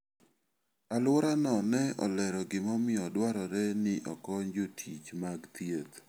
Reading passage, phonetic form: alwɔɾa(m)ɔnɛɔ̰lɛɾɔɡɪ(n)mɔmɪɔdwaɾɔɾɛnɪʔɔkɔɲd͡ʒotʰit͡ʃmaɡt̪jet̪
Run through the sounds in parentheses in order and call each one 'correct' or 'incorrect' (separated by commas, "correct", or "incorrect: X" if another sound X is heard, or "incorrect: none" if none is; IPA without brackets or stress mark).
incorrect: n, incorrect: none